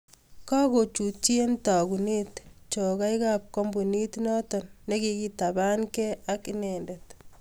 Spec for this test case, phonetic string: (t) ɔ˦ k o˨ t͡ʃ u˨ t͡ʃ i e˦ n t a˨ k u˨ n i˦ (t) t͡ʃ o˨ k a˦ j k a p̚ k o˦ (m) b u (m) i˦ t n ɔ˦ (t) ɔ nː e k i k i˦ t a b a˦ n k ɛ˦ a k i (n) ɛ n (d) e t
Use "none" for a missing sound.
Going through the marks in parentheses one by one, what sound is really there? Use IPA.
k, t, m, n, t, n, d

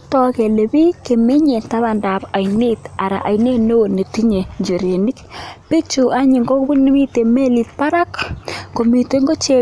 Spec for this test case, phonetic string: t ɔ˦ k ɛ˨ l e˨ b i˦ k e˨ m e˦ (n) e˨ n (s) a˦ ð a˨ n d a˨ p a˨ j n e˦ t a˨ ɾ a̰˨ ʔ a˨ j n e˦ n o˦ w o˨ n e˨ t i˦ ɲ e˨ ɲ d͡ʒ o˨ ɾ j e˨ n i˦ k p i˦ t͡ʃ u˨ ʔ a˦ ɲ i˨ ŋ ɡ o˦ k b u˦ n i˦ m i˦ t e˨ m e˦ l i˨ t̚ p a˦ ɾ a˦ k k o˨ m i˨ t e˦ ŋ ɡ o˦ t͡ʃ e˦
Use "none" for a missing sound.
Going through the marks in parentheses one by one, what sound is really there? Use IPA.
ɲ, t

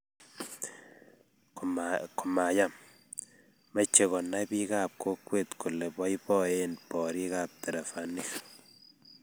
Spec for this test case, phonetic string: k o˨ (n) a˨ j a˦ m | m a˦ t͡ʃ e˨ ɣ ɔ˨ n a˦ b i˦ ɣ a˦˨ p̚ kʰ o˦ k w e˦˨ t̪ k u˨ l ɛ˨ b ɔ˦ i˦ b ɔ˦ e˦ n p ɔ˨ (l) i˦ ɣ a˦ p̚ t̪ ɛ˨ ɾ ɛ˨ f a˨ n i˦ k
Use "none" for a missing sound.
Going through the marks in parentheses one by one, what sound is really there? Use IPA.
m, ɾ

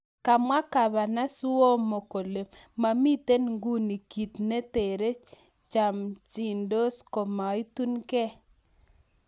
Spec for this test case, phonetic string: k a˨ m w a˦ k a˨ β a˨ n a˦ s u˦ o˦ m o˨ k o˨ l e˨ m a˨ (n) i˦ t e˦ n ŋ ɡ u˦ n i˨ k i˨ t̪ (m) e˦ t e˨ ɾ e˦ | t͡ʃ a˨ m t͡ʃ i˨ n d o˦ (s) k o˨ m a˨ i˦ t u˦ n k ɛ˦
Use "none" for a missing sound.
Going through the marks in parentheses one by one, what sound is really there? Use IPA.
m, n, s

